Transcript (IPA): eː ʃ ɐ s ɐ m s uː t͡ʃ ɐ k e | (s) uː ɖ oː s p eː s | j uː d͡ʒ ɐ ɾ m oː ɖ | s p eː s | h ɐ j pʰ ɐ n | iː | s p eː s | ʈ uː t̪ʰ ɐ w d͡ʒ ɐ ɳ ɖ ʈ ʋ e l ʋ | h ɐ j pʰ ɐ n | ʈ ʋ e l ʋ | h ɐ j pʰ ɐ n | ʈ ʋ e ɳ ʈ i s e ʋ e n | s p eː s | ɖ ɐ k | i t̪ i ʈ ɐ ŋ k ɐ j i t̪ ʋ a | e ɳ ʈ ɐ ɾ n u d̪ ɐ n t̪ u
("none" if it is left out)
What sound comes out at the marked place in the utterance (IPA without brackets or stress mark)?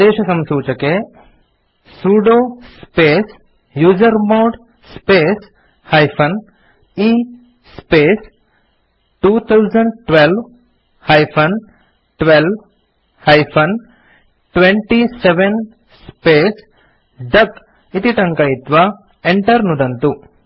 s